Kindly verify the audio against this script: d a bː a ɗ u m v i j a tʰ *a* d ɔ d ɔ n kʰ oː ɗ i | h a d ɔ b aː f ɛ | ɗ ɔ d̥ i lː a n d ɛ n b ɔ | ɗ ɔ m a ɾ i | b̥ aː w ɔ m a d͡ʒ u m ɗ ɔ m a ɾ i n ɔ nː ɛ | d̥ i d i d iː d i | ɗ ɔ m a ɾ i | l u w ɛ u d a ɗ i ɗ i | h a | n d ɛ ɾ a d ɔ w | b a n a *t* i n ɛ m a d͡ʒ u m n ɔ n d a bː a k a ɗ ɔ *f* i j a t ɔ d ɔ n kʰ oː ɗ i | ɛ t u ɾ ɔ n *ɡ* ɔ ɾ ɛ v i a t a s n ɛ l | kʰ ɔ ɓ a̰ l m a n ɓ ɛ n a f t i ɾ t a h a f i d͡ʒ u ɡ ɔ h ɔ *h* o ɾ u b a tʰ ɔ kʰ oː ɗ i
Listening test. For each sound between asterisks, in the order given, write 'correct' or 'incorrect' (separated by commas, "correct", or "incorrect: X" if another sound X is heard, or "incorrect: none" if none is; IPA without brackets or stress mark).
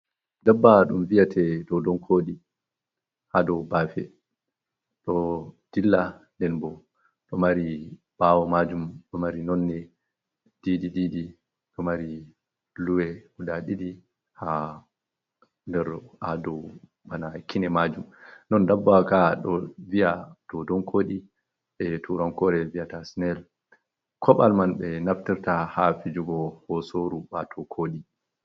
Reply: incorrect: ɛ, incorrect: k, incorrect: v, incorrect: k, incorrect: s